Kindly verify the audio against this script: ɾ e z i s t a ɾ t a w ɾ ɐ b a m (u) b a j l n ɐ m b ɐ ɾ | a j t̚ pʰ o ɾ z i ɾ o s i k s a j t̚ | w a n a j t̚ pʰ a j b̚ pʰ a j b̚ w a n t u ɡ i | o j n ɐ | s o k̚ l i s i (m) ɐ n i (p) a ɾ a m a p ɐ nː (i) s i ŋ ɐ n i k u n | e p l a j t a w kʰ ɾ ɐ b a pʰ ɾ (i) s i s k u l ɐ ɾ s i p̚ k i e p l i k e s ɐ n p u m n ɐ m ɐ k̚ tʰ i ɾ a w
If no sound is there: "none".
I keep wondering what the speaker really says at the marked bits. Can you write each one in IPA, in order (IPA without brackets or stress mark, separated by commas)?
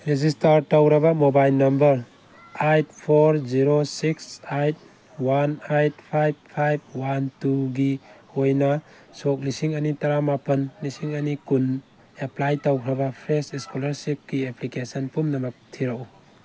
o, ŋ, t, i, e